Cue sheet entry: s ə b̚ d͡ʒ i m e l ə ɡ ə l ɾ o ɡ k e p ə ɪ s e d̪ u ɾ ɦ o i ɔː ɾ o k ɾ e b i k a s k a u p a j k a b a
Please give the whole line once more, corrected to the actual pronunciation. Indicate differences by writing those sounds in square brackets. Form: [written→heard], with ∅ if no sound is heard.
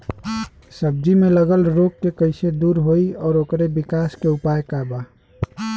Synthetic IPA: s ə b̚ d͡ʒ i m e l ə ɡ ə l ɾ o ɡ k e [p→k] ə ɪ s e d̪ u ɾ ɦ o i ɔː ɾ o k ɾ e b i k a s k [a→e] u p a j k a b a